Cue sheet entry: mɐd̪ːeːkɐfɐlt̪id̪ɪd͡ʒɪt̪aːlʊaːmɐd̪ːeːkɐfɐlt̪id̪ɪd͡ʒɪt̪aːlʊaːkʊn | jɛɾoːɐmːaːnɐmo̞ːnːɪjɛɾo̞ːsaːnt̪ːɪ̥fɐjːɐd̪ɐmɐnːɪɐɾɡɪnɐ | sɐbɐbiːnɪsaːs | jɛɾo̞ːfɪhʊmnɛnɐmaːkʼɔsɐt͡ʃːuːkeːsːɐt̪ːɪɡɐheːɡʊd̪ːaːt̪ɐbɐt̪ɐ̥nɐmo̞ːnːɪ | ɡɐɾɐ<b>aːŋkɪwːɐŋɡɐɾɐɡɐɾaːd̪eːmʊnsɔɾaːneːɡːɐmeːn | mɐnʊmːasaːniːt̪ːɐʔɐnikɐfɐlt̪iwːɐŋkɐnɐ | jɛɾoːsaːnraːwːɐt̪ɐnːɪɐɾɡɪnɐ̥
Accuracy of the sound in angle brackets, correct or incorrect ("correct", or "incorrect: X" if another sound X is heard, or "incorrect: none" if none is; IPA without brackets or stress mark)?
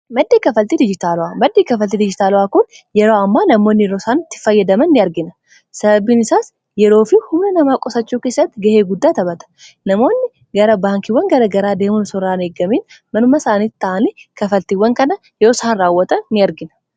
correct